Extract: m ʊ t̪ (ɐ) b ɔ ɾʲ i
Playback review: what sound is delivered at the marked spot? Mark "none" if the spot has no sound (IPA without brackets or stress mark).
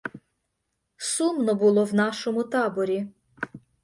ɑ